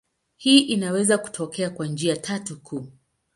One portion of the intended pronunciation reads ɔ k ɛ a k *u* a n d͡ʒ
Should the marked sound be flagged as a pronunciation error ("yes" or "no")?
yes